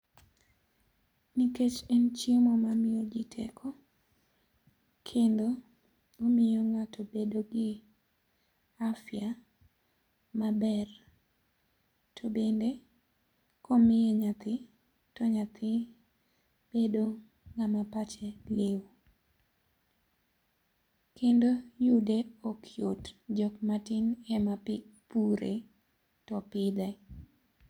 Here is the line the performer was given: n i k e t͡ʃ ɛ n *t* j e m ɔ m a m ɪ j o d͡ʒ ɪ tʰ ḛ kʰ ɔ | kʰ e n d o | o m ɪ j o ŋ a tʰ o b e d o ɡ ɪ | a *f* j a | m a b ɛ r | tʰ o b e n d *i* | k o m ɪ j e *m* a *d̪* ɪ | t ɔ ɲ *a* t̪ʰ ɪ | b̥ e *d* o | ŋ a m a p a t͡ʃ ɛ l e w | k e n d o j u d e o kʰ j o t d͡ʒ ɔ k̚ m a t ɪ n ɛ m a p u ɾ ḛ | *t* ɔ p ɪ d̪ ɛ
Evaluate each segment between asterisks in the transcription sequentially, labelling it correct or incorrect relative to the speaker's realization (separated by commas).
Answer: incorrect, correct, incorrect, incorrect, incorrect, correct, correct, correct